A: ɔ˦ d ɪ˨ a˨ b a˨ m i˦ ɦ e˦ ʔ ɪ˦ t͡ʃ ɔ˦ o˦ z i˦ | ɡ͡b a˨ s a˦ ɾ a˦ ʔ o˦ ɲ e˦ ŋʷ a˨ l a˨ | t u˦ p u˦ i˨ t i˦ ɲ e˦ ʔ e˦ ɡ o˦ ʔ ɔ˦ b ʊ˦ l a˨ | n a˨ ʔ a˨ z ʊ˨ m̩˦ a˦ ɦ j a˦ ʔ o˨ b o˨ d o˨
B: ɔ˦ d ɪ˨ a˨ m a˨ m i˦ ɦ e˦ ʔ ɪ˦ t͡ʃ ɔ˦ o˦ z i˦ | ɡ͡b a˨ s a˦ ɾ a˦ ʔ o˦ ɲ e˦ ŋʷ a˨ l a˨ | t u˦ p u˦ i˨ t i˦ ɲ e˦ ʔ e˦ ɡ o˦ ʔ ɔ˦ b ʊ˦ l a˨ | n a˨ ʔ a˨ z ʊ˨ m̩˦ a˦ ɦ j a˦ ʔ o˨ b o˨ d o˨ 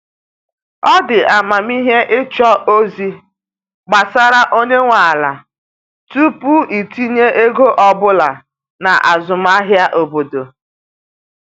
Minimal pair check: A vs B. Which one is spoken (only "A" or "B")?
B